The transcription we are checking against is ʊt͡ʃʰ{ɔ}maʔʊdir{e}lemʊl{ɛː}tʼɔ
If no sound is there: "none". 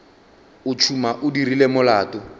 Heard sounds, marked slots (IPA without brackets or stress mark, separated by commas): u, i, aː